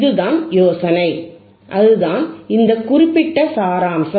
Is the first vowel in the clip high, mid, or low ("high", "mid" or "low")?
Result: high